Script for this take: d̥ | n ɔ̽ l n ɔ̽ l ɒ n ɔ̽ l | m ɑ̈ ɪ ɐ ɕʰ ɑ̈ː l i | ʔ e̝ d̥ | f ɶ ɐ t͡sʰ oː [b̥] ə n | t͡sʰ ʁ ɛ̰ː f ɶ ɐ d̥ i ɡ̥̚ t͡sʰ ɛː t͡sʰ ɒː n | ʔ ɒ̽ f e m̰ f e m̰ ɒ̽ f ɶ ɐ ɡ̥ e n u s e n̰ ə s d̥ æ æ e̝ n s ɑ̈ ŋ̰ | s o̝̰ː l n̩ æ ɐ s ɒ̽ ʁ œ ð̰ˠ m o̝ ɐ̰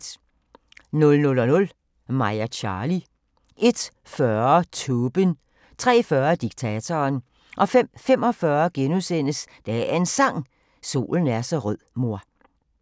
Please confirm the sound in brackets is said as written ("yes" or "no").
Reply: yes